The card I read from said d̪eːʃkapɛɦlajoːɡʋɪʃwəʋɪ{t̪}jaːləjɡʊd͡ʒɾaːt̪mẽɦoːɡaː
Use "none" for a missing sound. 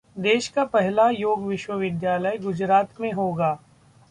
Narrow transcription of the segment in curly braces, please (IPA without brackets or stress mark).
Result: d̪